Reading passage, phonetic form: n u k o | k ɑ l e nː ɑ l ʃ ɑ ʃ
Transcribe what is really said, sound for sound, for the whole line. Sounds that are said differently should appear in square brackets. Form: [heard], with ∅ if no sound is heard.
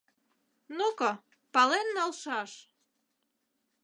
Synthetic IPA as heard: n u k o | [p] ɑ l e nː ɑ l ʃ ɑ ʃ

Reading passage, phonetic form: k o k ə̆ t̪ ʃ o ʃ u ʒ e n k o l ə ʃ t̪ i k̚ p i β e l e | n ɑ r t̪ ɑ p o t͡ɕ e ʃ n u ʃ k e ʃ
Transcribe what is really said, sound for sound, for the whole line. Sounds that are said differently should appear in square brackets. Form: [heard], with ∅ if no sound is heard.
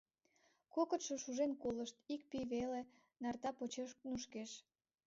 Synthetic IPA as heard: k o k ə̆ t̪ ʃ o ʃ u ʒ e n k o l ə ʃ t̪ i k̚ p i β e l e | n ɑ r t̪ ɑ p o t͡ɕ e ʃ n u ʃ k e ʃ

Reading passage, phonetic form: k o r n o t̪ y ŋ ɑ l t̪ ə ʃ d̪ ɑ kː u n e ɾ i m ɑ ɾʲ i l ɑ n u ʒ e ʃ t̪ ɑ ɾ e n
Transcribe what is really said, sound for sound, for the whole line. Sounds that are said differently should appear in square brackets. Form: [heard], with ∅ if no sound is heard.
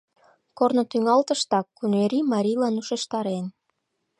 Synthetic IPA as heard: k o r n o t̪ y ŋ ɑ l t̪ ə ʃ [t̪] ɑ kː u n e ɾ i m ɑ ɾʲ i l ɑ n u [ʃ] e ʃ t̪ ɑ ɾ e n

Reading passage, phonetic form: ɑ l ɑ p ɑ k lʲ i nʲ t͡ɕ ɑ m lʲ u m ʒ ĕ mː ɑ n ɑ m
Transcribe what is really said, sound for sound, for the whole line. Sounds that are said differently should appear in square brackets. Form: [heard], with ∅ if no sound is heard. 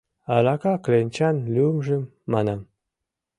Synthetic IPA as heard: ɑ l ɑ [k] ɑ k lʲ [e] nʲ t͡ɕ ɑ [n] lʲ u m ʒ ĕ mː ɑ n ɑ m

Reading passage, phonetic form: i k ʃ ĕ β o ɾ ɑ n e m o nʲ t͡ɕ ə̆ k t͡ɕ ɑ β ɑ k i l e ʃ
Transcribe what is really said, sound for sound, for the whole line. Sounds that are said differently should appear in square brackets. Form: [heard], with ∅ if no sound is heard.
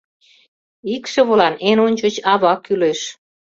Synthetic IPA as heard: i k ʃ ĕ β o [l] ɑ n e [n] o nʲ t͡ɕ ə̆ [∅] t͡ɕ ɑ β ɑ k [y] l e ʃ

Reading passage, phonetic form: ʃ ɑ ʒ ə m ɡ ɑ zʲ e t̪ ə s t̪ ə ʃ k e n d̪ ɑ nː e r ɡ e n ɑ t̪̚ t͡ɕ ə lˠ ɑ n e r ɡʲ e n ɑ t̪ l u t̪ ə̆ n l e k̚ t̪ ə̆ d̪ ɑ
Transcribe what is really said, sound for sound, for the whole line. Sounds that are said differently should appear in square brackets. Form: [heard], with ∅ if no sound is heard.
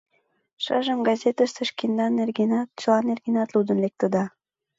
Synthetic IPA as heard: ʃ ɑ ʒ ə m ɡ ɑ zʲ e t̪ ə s t̪ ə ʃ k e n d̪ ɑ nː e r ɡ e n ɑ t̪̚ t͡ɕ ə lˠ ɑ n e r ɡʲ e n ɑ t̪ l u [d̪] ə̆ n l e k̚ t̪ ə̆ d̪ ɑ

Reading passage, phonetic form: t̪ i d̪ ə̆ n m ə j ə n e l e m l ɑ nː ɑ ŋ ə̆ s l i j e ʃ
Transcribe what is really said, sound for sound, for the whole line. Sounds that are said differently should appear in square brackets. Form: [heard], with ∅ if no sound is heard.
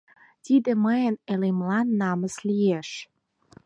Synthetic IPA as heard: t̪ i d̪ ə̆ [∅] m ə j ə n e l e m l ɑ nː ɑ [m] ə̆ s l i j e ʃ

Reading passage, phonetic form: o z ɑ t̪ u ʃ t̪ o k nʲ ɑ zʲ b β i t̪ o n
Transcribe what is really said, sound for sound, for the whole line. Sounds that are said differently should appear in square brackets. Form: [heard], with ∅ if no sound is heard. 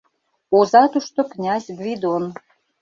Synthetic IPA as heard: o z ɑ t̪ u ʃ t̪ o k nʲ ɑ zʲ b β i [d̪] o n

